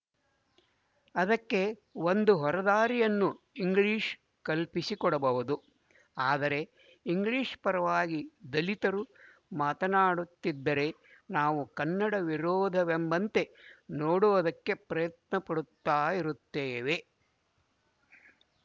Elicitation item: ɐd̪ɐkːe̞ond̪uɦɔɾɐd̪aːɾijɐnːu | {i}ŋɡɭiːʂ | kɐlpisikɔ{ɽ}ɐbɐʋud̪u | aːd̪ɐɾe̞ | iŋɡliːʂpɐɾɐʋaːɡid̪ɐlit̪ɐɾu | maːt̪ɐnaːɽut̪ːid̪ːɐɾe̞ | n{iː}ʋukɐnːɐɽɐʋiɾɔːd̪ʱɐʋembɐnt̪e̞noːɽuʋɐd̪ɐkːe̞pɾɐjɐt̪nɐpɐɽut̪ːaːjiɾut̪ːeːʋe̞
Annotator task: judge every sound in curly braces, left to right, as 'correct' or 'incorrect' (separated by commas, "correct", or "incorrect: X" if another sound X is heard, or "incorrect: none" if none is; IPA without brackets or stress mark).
correct, correct, incorrect: aː